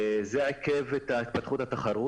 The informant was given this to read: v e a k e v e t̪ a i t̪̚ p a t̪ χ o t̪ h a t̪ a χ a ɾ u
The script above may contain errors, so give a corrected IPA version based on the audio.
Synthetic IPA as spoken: z e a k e v e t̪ a i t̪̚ p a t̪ χ u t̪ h a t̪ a χ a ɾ u